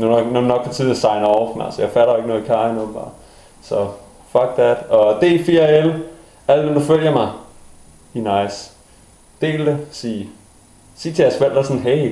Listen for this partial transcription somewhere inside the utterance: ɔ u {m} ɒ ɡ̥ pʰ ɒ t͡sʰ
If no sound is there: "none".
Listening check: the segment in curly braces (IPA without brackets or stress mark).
n